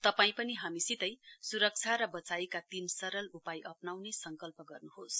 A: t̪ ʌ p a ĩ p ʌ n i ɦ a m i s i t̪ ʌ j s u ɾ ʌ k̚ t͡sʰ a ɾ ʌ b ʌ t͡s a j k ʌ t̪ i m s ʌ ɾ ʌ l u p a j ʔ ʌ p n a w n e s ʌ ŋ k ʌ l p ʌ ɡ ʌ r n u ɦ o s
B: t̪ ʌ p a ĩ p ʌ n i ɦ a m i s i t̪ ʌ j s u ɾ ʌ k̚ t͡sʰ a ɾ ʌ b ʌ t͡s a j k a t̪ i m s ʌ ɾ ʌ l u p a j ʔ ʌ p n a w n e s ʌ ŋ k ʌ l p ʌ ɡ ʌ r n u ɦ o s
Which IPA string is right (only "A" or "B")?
B